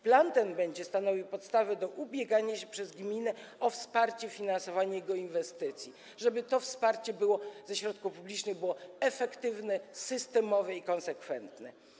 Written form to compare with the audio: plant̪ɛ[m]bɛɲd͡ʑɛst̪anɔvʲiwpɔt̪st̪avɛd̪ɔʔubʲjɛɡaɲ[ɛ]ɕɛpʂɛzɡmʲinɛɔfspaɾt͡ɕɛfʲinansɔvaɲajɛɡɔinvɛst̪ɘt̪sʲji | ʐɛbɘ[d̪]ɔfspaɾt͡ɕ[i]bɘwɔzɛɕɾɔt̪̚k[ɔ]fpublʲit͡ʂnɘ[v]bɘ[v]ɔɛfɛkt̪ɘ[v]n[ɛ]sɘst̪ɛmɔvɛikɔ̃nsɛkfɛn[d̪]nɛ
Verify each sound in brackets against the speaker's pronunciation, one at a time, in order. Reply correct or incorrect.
incorrect, incorrect, incorrect, incorrect, incorrect, incorrect, incorrect, correct, correct, incorrect

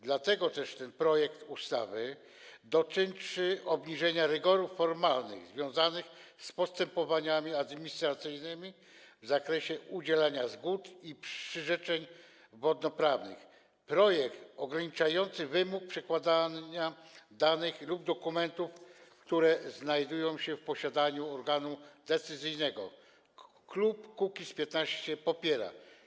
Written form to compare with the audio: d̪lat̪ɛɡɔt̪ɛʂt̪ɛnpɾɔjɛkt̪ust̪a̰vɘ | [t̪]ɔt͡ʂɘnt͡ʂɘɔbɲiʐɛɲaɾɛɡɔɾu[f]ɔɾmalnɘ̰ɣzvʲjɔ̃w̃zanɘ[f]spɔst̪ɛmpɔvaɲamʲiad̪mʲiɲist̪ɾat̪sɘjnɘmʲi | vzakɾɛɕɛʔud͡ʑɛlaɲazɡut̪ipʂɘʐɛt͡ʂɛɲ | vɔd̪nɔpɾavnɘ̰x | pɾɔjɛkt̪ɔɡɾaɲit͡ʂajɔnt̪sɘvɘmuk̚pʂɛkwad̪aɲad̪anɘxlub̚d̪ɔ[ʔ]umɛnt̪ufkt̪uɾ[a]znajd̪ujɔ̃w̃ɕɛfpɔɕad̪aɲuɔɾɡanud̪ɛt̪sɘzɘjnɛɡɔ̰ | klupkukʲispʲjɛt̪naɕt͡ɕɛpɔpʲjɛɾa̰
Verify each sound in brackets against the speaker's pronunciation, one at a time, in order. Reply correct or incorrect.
incorrect, incorrect, incorrect, incorrect, incorrect

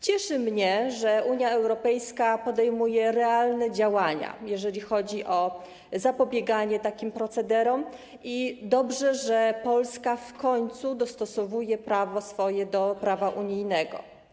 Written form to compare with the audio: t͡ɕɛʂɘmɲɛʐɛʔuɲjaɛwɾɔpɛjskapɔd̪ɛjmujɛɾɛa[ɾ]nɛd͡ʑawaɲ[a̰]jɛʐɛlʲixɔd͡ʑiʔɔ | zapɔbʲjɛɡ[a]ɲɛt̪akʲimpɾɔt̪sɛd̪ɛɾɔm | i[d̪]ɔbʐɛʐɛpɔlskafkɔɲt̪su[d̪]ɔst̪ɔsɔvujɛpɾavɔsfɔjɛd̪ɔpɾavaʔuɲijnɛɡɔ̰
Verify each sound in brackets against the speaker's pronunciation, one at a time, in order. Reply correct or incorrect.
incorrect, correct, correct, correct, correct

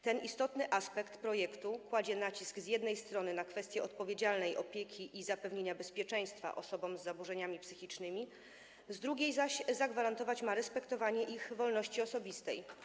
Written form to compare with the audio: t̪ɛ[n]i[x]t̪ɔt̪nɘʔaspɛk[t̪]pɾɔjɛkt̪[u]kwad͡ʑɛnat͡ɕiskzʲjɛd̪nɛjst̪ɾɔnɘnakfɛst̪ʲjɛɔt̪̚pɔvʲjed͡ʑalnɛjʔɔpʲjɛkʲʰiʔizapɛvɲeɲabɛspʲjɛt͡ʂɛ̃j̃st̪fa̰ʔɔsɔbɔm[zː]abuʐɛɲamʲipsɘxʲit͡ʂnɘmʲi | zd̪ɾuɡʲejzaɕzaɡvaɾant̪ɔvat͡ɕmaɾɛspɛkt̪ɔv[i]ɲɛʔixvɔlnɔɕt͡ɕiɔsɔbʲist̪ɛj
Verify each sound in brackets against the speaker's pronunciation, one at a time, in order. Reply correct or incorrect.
correct, incorrect, correct, correct, correct, incorrect

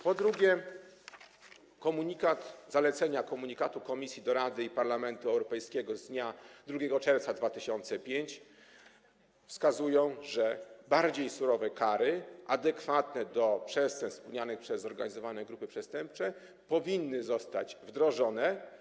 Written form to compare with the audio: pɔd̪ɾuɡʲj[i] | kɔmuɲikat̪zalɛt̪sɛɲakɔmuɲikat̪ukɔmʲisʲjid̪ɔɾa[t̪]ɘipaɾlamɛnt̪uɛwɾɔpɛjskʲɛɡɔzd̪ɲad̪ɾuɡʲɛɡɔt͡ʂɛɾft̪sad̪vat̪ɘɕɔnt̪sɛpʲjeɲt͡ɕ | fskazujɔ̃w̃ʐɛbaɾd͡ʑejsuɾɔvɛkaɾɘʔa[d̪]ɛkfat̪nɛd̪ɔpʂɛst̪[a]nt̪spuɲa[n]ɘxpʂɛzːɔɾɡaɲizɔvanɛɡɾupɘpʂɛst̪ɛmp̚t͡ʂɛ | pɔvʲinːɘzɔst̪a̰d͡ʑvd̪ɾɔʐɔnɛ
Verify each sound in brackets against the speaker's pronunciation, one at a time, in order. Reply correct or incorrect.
incorrect, incorrect, correct, incorrect, correct

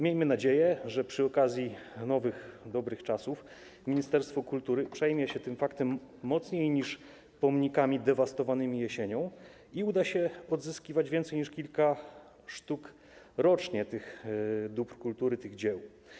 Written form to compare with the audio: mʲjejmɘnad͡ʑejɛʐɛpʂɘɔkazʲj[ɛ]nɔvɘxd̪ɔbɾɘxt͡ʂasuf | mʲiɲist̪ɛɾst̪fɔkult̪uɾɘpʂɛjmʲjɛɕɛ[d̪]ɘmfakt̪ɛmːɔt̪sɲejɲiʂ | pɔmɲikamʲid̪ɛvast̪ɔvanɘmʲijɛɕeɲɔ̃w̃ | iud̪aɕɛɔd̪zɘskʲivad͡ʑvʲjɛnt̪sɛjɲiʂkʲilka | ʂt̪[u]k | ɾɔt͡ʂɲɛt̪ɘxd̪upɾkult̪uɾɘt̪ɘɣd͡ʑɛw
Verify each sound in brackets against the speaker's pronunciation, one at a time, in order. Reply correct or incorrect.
incorrect, incorrect, correct

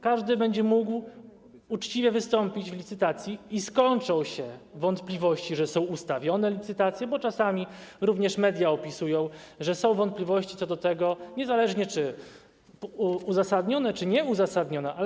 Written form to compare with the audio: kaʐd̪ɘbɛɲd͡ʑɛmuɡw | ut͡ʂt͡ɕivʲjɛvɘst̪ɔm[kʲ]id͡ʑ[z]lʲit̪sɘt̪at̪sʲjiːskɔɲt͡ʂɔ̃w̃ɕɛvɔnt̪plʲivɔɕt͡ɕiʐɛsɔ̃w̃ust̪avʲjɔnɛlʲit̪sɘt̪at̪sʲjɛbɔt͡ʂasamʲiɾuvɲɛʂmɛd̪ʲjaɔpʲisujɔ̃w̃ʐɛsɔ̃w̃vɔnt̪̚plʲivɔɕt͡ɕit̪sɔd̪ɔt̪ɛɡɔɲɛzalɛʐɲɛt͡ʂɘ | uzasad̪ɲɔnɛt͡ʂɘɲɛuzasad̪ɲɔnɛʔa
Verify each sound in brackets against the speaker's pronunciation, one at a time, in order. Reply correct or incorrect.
incorrect, incorrect

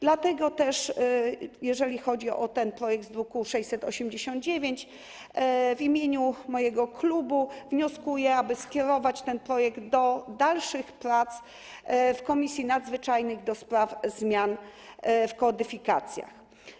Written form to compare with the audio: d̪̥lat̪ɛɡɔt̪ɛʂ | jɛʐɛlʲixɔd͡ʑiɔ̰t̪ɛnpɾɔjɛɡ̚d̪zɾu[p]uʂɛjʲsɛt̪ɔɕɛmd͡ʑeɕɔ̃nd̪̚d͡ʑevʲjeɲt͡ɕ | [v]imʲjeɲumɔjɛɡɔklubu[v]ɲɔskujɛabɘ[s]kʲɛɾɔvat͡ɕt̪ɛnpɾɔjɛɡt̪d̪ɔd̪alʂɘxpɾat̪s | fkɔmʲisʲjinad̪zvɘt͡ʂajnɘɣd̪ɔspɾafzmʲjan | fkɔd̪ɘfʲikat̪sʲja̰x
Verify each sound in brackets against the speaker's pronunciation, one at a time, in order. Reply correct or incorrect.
incorrect, correct, correct, correct

